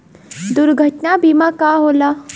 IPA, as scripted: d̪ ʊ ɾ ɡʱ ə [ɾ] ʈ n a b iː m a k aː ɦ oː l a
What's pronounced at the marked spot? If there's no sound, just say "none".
none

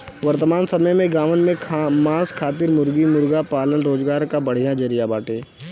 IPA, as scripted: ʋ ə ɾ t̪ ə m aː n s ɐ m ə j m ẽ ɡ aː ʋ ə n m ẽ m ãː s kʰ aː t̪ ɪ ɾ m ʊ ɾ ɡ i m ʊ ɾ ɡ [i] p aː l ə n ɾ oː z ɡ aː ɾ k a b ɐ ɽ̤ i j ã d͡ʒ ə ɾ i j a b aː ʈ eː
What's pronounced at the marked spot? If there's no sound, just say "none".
a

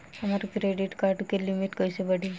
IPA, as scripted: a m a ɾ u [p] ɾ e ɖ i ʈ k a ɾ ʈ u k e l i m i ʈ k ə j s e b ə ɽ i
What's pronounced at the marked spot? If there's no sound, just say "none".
k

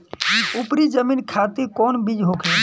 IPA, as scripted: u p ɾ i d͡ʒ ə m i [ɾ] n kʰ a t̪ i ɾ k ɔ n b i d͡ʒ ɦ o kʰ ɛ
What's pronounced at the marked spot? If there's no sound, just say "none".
none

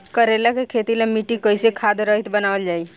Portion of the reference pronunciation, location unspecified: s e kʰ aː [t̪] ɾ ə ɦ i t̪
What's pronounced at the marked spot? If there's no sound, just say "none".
d̪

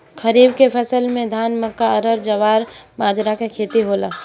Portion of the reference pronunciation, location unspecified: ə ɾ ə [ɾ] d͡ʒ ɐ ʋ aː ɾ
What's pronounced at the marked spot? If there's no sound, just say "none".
ɾ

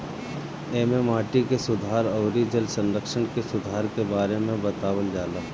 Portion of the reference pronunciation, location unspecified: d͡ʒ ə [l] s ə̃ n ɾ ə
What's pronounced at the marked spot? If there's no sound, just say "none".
l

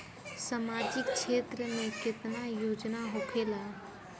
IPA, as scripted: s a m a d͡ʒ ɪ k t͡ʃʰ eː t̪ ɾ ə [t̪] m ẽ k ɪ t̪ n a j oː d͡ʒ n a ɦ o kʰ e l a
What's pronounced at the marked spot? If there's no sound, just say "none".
none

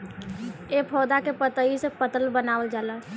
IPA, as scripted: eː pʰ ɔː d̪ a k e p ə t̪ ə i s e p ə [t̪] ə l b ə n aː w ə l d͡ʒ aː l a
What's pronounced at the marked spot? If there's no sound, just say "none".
t̪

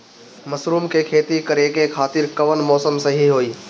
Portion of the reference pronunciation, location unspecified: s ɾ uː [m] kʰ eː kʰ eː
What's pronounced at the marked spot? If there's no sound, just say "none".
m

